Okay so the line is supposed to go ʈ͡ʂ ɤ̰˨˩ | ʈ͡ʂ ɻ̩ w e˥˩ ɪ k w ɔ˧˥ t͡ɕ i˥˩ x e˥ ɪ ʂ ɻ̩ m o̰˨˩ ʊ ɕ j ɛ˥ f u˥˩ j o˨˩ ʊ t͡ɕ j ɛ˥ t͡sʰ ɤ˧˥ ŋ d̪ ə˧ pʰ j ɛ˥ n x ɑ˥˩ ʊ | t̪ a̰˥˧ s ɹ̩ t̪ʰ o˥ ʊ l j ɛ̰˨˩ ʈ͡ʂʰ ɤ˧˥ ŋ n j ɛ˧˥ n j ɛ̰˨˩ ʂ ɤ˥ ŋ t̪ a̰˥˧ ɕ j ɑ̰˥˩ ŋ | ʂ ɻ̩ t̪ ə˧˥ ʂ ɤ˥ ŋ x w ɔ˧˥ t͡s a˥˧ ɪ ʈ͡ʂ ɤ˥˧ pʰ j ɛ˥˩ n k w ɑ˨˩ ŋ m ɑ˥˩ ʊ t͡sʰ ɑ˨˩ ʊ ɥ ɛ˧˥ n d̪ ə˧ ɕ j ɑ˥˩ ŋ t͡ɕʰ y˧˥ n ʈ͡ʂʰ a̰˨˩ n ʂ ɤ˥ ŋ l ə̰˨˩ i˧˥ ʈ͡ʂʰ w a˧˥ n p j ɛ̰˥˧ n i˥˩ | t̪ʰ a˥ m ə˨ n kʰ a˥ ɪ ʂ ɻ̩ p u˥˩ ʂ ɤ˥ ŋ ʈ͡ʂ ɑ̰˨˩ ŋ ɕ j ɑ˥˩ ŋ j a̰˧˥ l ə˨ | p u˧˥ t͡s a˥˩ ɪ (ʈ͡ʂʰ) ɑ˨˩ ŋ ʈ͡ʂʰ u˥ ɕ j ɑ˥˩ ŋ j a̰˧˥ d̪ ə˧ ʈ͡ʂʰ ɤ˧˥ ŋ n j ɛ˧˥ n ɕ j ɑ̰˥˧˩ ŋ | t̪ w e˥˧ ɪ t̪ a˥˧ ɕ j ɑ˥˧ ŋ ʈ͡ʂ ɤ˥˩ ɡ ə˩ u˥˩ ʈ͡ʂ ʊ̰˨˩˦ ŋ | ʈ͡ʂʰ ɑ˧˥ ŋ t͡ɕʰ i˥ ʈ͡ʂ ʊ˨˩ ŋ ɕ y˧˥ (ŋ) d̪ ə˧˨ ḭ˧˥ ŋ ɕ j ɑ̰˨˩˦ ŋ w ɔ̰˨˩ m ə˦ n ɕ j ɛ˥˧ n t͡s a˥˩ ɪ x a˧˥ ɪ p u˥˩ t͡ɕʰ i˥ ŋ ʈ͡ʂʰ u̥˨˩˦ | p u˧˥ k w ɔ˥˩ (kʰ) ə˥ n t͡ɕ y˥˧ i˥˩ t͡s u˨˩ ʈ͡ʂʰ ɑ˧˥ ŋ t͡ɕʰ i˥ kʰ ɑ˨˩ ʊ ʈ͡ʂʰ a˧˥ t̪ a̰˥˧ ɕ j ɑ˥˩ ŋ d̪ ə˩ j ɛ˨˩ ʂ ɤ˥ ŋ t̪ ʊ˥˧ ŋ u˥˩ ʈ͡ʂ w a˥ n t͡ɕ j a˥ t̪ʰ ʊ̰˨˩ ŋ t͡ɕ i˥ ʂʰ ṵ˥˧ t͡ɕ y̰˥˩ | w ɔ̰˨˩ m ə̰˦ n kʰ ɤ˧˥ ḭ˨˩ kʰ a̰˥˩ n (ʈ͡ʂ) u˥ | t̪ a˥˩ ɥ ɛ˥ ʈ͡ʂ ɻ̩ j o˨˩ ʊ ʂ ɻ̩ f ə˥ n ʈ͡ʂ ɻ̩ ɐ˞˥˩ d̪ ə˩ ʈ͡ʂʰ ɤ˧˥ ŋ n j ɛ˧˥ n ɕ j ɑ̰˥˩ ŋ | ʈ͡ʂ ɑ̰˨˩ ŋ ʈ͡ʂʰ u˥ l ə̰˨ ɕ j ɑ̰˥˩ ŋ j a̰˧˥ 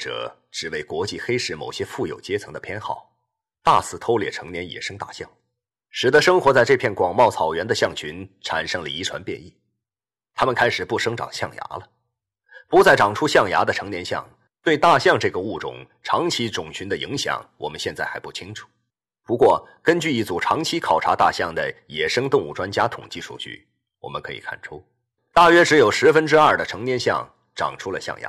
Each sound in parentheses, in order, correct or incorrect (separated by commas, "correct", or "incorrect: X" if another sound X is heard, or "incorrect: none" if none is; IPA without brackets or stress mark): incorrect: ʈ͡ʂ, incorrect: n, incorrect: k, incorrect: ʈ͡ʂʰ